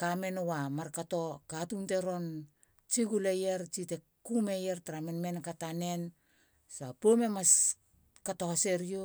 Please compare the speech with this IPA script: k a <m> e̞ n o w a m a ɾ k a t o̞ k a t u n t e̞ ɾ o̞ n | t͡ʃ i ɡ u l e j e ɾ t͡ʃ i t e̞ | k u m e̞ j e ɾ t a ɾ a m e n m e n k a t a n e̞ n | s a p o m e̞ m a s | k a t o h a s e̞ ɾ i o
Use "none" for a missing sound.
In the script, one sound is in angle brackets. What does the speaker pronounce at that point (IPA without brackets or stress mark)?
m